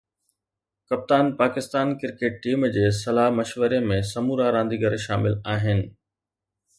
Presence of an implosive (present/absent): absent